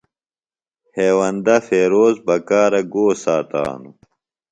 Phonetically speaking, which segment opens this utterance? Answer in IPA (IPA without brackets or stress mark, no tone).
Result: h